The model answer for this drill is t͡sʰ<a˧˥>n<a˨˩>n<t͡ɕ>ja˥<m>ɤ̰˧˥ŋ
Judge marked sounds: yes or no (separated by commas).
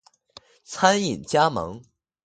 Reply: no, no, yes, yes